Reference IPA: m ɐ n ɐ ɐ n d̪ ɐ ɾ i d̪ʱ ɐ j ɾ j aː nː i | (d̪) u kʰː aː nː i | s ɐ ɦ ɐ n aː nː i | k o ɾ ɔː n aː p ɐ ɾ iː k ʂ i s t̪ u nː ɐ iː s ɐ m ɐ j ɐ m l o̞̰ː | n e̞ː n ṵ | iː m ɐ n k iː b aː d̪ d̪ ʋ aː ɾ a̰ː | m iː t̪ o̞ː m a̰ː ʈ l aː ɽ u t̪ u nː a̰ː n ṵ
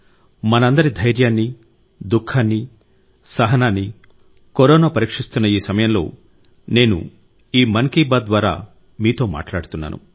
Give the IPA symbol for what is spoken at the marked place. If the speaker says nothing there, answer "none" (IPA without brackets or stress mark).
d̪